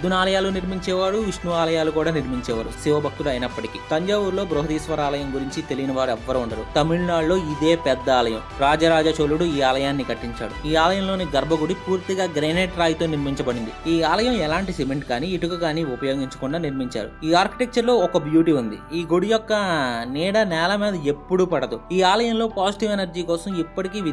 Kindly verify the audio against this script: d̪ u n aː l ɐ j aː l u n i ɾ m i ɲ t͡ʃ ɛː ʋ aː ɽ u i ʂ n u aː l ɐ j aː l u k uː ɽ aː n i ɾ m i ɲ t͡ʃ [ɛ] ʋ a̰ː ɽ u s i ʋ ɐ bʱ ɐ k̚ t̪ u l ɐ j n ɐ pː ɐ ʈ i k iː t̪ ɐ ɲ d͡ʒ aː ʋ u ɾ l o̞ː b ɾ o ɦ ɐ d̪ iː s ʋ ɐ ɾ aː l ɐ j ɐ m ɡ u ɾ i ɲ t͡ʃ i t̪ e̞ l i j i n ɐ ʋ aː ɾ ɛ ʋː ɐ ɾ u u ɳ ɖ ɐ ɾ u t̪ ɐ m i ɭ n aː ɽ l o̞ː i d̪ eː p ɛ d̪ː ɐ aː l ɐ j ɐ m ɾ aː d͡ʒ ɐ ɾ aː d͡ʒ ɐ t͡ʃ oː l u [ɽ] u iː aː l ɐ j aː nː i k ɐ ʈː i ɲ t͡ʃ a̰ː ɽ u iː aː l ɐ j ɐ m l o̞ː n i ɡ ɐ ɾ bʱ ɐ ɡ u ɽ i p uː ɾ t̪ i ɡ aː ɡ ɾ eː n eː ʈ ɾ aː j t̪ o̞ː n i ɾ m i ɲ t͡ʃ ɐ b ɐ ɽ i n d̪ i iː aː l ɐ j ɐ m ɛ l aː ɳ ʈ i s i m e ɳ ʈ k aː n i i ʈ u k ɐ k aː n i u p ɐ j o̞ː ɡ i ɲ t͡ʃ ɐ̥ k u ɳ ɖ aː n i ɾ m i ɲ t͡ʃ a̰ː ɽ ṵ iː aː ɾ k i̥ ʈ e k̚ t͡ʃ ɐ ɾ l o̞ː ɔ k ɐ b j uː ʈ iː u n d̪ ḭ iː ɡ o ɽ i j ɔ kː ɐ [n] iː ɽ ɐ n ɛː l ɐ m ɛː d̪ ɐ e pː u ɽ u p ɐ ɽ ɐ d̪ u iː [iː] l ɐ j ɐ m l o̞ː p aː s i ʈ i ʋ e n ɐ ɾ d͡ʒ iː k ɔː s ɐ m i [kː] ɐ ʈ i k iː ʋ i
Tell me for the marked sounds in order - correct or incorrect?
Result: incorrect: ɛː, correct, correct, incorrect: aː, incorrect: pː

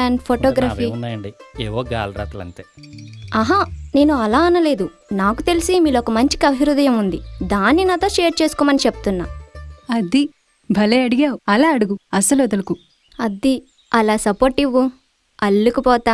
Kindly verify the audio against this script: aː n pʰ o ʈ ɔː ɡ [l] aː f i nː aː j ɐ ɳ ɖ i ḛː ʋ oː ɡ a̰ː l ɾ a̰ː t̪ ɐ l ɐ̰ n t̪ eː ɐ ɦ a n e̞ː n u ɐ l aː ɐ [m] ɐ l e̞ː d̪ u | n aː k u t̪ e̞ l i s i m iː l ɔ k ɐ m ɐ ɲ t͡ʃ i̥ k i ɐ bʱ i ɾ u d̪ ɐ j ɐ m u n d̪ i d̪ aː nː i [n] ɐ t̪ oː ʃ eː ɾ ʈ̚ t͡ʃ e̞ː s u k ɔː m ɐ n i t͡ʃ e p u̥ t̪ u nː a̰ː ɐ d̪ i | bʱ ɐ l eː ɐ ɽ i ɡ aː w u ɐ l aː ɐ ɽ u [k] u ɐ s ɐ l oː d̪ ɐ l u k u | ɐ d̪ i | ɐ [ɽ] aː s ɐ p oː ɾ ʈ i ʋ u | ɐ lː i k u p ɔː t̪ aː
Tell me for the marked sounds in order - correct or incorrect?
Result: incorrect: ɾ, incorrect: n, correct, incorrect: ɡ, incorrect: l

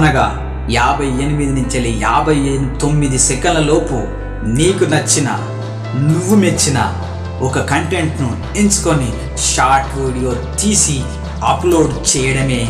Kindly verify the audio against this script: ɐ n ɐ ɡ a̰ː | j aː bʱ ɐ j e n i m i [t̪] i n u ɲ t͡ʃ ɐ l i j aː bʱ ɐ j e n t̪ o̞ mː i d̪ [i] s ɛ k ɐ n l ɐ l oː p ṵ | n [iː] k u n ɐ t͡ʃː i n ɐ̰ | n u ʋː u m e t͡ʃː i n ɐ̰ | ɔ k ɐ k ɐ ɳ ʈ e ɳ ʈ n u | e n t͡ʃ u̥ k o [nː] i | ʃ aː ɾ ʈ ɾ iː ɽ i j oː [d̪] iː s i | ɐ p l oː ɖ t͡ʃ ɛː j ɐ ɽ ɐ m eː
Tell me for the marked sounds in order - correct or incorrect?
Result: incorrect: d̪, correct, correct, incorrect: n, incorrect: t̪

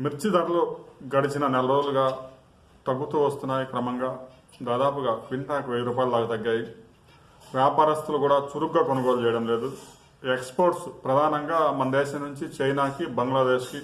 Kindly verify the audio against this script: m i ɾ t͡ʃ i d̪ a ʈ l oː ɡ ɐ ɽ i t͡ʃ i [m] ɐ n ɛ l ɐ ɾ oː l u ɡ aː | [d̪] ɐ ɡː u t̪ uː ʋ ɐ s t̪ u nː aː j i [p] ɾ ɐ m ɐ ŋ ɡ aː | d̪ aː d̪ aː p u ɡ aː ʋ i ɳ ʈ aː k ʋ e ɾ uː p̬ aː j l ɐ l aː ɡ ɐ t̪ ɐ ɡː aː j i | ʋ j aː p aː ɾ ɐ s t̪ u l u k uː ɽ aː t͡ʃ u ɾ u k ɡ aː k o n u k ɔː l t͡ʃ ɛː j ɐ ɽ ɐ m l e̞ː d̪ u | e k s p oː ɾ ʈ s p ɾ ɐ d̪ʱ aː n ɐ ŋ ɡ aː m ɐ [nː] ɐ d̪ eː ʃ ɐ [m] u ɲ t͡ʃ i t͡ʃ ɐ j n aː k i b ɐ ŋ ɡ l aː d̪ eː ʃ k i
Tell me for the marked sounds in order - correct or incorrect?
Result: incorrect: n, incorrect: t̪, incorrect: k, incorrect: n, incorrect: n

